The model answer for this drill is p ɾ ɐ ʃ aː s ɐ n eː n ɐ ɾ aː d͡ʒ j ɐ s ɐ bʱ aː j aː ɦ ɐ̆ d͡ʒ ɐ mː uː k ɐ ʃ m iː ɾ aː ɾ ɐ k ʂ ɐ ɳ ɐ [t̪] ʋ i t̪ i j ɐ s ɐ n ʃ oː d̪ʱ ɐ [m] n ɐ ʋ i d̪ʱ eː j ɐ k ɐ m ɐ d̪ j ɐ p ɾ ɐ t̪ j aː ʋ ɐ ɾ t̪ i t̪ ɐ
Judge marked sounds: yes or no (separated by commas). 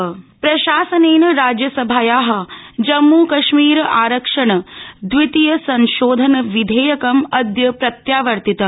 no, no